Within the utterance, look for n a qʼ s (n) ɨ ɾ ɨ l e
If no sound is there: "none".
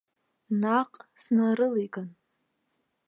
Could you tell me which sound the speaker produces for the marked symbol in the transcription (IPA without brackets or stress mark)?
n